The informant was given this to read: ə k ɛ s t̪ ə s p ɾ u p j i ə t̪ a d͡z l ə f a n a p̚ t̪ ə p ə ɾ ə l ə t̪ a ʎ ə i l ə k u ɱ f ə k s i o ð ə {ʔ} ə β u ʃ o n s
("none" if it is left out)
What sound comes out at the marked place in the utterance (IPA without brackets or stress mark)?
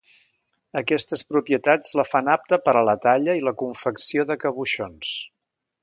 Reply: k